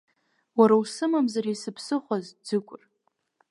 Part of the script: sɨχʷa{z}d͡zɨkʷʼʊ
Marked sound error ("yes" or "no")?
no